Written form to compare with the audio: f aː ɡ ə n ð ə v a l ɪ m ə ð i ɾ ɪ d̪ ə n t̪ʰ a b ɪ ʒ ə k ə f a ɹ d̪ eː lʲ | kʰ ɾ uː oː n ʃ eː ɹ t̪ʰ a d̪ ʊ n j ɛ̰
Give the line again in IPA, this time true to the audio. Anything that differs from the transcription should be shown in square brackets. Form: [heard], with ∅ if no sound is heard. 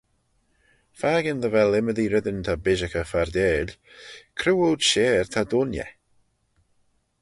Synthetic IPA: f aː ɡ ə n ð ə v [ɛ] l ɪ m ə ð i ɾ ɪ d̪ ə n t̪ʰ a b ɪ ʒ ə k ə f a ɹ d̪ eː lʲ | kʰ ɾ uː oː [d] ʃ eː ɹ t̪ʰ a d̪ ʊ n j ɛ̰

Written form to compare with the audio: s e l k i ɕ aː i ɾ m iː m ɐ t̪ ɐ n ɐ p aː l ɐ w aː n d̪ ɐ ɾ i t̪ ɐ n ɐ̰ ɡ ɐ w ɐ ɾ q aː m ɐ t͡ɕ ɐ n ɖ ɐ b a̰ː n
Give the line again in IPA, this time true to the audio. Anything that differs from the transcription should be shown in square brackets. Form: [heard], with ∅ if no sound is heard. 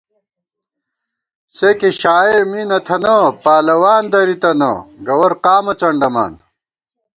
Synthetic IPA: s e [∅] k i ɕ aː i ɾ m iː [n] ɐ [t̪ʰ] ɐ n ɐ p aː l ɐ w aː n d̪ ɐ ɾ i t̪ ɐ n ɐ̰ ɡ ɐ w ɐ ɾ q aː m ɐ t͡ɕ ɐ [ɳ] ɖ ɐ [m] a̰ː n

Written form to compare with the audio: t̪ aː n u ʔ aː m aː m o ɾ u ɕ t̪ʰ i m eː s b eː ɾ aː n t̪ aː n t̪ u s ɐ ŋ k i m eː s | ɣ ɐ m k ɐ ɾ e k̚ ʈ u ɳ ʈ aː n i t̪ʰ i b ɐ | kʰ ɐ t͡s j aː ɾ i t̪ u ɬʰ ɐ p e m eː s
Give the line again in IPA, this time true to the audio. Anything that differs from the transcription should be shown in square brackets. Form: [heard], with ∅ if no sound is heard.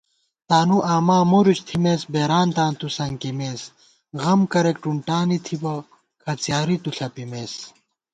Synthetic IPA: t̪ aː n u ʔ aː m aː m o ɾ u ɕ t̪ʰ i m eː s b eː ɾ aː n t̪ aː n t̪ u s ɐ ŋ k i m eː s | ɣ ɐ m k ɐ ɾ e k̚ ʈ u ɳ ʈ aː n i t̪ʰ i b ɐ | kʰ ɐ t͡s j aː ɾ i t̪ u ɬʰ ɐ p [i] m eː s

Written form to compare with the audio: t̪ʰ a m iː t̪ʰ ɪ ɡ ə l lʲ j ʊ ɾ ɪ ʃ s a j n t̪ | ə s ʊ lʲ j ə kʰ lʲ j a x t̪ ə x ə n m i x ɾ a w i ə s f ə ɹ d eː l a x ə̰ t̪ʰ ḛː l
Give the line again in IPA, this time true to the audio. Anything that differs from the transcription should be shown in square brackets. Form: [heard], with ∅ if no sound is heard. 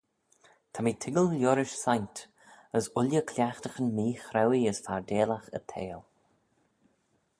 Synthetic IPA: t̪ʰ a m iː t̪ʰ ɪ ɡ ə l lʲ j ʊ ɾ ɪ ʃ s a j n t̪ | ə s ʊ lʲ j ə kʰ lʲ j a x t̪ ə x ə n m [iː] x ɾ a w i ə s f [a] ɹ d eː l a x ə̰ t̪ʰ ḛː l

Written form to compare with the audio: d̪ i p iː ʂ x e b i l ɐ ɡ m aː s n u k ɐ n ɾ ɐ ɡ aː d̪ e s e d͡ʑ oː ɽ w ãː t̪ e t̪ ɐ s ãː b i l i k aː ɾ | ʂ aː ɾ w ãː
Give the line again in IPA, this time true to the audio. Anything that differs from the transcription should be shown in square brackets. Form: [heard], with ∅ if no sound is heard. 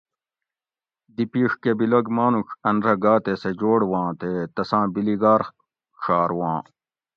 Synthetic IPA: d̪ i p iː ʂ [k] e b i l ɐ ɡ m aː [∅] n u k ɐ n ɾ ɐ ɡ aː [t̪] e s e d͡ʑ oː ɽ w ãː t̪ e t̪ ɐ s ãː b i l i [ɡ] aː ɾ | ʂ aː ɾ w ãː

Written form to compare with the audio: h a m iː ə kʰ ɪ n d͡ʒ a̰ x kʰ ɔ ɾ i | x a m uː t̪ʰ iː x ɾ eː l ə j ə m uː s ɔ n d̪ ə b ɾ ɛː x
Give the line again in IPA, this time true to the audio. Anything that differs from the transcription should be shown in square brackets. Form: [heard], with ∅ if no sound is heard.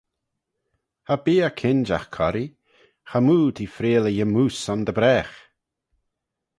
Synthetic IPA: h a [b] iː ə kʰ ɪ n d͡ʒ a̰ x kʰ ɔ ɾ i | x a m uː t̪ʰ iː [f] ɾ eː l ə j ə m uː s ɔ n d̪ ə b ɾ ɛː x

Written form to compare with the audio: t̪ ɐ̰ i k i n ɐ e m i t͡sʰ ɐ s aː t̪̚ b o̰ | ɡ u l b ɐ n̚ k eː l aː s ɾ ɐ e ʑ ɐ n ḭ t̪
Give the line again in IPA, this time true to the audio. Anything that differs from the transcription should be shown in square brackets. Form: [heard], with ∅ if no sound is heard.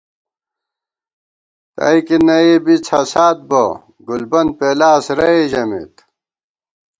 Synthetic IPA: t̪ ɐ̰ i k i n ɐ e [b] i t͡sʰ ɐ s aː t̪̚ b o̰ | ɡ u l b ɐ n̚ [p] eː l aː s ɾ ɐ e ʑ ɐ [m] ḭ t̪

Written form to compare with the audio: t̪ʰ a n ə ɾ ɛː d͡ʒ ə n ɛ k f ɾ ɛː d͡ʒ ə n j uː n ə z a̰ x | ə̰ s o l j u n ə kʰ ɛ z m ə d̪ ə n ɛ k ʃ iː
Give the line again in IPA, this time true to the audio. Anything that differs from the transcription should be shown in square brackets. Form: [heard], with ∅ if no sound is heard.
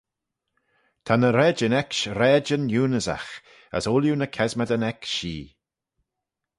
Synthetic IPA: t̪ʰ a n ə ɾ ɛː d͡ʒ ə n ɛ k [ʃ] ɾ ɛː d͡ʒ ə n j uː n ə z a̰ x | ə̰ s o l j u n ə kʰ ɛ z m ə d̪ ə n ɛ k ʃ iː

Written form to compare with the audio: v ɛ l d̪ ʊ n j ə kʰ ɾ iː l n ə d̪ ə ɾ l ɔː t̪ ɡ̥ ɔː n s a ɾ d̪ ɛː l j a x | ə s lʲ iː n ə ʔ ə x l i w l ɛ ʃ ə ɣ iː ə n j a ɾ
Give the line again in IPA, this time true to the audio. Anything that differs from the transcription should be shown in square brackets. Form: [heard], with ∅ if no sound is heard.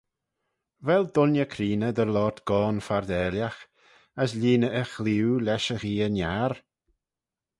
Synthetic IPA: v ɛ l d̪ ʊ n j ə kʰ ɾ iː [∅] n ə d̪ ə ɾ l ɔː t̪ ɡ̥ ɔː n [f] a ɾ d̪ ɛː l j a x | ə s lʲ iː n ə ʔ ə x l i w l ɛ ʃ ə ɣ iː ə n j a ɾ

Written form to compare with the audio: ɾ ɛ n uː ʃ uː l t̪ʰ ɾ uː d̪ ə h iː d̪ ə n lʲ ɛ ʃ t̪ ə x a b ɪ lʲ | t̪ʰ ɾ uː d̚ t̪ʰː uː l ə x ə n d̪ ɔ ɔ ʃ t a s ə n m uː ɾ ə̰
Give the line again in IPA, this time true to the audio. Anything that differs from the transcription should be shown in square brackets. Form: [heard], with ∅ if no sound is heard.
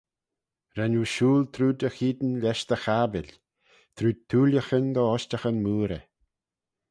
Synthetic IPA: ɾ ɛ n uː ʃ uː l t̪ʰ ɾ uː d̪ ə [x] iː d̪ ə n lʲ ɛ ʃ t̪ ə x a b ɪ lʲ | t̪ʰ ɾ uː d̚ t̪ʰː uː l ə x ə n d̪ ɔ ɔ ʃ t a [x] ə n m uː ɾ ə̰

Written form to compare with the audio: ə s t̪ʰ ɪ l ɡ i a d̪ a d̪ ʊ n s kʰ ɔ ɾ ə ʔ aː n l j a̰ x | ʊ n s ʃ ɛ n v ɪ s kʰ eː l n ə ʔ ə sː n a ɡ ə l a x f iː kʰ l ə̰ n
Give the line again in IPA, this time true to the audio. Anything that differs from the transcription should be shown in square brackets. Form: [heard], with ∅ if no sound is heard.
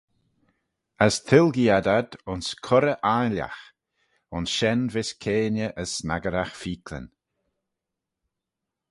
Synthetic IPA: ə s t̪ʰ ɪ l ɡ i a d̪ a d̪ ʊ n s kʰ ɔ ɾ ə ʔ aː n l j a̰ x | ʊ n s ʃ ɛ n v ɪ s kʰ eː [∅] n ə ʔ ə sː n a ɡ ə [ɾ] a x f iː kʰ l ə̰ n

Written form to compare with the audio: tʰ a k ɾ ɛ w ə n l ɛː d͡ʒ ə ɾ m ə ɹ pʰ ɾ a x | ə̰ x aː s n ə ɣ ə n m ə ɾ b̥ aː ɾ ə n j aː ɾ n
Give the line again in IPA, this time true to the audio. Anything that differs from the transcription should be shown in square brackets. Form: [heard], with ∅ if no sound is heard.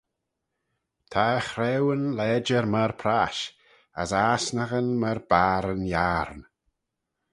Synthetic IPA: tʰ a [x] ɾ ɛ w ə n l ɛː d͡ʒ ə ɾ m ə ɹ pʰ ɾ a [ʃ] | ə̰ [s] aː s n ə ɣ ə n m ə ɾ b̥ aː ɾ ə n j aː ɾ n

